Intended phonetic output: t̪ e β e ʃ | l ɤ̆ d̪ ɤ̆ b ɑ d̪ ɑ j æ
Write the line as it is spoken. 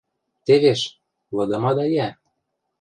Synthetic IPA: t̪ e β e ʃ | l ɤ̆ d̪ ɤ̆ m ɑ d̪ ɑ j æ